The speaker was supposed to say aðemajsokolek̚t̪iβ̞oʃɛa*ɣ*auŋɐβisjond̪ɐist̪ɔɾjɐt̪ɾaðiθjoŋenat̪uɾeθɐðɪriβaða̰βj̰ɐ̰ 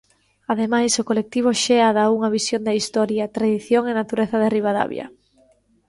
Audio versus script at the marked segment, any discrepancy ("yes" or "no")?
yes